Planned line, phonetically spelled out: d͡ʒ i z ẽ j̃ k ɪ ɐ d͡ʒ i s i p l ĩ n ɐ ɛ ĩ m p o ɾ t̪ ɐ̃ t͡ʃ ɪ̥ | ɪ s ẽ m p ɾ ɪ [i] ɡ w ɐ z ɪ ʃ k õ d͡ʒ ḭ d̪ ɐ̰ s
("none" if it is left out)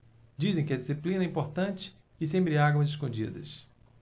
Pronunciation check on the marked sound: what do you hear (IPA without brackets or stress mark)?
a